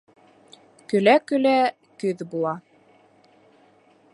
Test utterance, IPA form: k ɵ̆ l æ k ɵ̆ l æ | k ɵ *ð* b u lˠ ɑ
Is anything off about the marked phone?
no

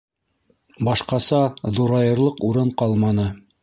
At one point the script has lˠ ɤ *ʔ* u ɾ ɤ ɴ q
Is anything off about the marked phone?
yes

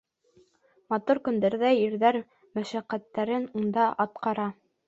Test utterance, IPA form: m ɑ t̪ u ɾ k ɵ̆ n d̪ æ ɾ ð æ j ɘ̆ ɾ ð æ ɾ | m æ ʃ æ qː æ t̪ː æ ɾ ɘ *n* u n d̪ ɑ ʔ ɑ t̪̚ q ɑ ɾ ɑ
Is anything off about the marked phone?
no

